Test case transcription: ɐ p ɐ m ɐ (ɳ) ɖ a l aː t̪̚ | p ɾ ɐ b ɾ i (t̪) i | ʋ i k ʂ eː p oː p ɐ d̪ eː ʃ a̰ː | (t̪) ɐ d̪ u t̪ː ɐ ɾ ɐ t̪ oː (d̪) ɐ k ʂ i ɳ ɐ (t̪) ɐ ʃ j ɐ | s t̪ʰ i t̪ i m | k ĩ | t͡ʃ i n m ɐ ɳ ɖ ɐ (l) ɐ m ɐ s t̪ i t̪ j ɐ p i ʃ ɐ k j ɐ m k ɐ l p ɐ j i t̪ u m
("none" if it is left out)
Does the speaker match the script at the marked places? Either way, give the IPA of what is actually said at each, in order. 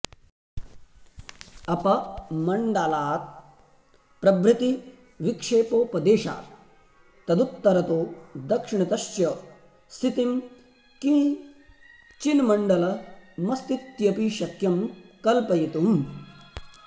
ɳ, t̪, t̪, d̪, t̪, l

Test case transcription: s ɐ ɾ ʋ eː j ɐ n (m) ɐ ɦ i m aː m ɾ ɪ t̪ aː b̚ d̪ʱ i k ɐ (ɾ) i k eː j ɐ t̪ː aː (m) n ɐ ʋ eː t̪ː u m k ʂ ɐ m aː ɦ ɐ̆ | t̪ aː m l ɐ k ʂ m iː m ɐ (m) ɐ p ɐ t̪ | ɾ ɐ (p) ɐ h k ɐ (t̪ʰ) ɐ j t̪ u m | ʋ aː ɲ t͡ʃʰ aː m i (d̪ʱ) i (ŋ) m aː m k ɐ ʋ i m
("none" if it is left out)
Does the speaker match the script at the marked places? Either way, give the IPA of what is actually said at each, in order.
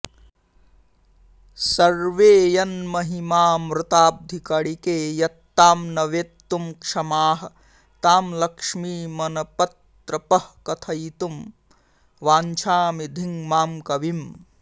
m, ɽ, m, n, p, t̪ʰ, d̪ʱ, ŋ

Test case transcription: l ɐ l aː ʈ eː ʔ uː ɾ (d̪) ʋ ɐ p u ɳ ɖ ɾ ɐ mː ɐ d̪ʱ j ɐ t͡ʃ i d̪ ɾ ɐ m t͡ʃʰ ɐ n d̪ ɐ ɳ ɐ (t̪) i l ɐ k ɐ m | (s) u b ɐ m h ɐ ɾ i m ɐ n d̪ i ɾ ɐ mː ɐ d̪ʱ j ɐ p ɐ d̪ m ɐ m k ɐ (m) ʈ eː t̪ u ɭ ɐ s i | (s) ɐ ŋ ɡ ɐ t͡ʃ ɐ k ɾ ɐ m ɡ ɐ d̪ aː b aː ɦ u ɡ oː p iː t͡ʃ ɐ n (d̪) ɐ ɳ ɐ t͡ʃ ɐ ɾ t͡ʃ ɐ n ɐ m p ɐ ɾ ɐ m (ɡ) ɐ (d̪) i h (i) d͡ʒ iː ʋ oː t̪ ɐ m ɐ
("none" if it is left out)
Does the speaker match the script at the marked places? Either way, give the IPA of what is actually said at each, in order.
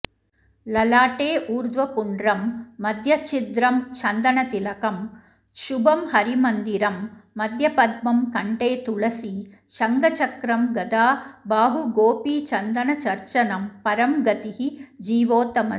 d̪, t̪, ʃ, ɳ, ʃ, d̪, ɡ, t̪, i

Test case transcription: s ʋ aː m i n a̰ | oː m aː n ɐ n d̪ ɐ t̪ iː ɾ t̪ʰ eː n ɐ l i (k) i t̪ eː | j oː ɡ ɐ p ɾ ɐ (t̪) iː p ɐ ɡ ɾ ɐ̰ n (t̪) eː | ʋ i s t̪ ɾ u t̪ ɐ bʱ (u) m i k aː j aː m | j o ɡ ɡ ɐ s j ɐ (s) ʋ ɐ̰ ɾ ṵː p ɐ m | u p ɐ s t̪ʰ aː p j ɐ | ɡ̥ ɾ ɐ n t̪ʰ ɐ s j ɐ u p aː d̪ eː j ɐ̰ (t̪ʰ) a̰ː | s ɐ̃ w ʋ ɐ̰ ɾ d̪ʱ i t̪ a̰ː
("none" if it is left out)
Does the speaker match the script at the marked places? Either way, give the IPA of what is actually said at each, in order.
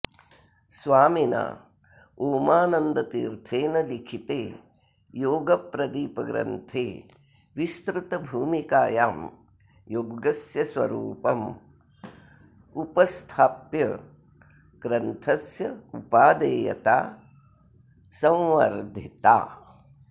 kʰ, d̪, t̪ʰ, uː, s, t̪

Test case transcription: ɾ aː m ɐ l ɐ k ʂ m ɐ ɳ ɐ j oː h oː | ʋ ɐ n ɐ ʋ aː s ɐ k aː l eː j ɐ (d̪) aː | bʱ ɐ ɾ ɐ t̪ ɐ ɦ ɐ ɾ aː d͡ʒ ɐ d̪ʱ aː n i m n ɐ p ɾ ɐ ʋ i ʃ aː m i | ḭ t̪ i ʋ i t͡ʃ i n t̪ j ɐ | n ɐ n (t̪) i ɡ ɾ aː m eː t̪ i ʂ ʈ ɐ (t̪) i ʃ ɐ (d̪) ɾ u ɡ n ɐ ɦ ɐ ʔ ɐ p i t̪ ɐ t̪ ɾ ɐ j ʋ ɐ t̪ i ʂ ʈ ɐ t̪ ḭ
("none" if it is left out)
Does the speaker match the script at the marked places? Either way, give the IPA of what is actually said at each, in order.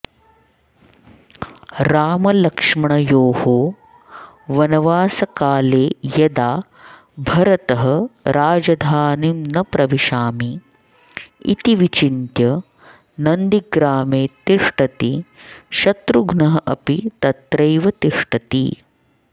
d̪, d̪, t̪, t̪

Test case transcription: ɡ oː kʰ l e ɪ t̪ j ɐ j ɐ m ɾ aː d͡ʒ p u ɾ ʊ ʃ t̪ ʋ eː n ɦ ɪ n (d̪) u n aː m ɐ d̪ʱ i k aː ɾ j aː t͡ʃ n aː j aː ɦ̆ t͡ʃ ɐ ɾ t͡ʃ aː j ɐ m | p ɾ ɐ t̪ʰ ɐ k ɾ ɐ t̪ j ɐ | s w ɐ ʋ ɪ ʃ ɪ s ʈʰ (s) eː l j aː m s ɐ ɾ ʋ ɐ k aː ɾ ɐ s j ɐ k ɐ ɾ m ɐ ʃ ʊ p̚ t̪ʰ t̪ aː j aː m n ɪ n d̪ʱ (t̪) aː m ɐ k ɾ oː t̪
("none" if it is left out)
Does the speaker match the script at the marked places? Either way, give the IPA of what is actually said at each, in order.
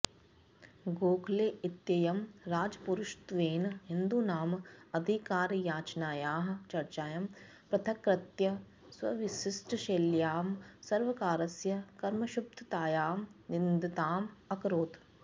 d̪, ʃ, t̪

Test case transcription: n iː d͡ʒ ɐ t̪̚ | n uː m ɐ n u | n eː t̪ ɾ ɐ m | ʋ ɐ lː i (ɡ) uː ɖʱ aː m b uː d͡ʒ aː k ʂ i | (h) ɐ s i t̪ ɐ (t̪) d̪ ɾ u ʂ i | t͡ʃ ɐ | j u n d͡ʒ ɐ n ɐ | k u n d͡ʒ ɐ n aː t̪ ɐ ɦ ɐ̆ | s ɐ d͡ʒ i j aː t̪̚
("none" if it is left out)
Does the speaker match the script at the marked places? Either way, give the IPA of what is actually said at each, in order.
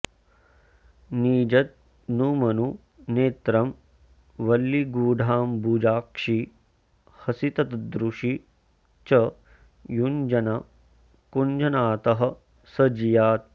ɡ, h, t̪

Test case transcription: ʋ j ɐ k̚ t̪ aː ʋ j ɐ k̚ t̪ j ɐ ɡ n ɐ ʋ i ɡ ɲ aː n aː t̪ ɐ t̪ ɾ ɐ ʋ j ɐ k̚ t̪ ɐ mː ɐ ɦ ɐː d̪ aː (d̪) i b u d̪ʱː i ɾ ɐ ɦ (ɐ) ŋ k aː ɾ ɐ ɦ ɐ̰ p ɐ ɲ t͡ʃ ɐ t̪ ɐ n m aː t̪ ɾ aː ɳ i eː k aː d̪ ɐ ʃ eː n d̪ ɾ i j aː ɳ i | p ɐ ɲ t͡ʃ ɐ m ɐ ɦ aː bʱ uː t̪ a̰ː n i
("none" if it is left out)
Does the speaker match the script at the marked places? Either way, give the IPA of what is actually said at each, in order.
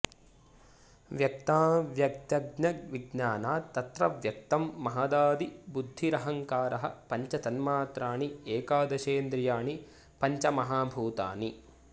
d̪, ɐ

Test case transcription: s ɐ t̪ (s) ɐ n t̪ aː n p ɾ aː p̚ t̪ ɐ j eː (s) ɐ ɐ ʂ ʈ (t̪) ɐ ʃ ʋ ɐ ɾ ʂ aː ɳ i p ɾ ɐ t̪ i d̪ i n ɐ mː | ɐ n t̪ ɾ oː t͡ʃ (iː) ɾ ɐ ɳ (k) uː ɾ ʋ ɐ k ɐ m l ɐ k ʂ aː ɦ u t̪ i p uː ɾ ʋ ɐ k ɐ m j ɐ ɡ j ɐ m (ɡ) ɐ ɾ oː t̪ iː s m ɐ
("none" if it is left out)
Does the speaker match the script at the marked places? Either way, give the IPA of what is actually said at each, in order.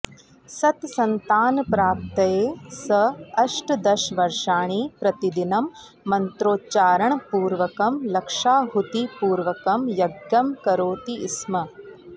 s, s, d̪, aː, p, k

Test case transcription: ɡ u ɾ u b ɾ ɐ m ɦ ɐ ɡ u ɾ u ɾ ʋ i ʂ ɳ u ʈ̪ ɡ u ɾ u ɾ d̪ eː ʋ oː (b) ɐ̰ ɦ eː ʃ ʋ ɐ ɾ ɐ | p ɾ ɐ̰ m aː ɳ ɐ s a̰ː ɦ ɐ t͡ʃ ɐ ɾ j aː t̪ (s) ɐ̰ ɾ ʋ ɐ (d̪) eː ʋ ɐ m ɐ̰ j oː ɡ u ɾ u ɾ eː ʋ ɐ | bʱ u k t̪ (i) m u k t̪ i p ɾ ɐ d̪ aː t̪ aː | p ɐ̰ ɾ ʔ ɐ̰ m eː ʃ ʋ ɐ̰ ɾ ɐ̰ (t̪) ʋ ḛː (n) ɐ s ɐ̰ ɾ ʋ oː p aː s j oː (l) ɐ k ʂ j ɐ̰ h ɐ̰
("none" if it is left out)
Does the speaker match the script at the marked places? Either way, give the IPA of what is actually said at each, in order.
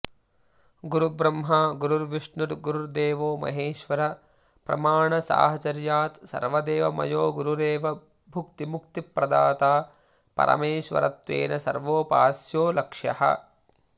m, s, d̪, i, t̪, n, l

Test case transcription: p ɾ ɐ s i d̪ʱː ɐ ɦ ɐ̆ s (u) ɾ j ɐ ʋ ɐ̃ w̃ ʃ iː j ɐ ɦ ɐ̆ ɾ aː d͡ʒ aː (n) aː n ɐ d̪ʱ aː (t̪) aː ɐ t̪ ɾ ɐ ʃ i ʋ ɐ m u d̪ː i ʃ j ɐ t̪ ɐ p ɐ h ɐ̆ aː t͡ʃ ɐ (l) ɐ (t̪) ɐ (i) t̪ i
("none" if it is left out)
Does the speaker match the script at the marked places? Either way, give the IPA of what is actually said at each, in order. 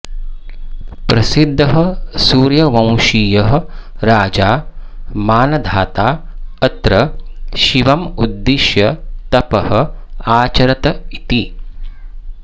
uː, m, t̪, ɾ, t̪, i

